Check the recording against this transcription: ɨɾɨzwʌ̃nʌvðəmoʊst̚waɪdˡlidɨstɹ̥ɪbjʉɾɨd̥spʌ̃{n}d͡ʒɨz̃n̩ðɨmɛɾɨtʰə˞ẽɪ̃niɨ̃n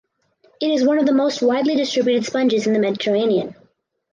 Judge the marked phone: correct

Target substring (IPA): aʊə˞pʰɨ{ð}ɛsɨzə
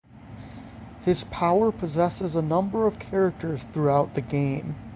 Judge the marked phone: incorrect: z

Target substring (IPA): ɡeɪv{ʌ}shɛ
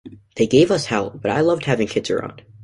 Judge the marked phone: correct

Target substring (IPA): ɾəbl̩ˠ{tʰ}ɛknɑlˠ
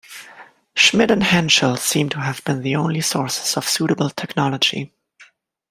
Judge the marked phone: correct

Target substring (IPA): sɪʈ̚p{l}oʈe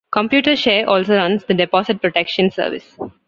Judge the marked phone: incorrect: ɾ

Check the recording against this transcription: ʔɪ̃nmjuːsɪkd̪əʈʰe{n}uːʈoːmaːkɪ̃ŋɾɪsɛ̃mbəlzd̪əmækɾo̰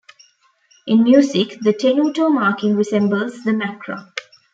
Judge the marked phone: correct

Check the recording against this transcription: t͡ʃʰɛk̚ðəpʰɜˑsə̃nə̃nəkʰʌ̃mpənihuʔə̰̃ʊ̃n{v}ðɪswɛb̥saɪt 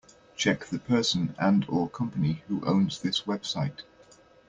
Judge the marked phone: incorrect: z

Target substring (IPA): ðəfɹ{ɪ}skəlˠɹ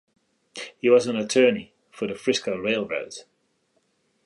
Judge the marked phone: correct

